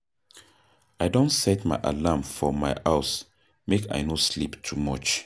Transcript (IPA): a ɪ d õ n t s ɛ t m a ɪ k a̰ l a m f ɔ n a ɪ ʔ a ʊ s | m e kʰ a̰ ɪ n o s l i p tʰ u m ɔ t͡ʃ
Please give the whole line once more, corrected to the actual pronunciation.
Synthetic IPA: a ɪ d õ n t s ɛ t m a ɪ ʔ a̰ l a m f ɔ m a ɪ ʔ a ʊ s | m e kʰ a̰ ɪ n o s l i p tʰ u m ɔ t͡ʃ